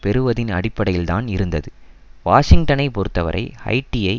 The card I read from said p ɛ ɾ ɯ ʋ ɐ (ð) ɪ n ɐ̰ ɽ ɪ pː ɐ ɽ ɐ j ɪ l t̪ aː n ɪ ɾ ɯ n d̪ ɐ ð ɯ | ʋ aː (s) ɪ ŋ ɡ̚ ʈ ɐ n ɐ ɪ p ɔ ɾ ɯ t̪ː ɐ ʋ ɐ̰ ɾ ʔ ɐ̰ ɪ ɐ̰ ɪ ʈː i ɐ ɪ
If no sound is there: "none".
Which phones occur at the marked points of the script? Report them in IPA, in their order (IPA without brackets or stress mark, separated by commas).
ð, ʂ